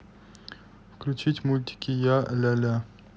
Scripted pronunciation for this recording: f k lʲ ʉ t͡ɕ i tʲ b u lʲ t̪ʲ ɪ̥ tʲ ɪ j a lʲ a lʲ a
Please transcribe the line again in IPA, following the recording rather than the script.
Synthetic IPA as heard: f k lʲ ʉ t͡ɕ i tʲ m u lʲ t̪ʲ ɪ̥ kʲ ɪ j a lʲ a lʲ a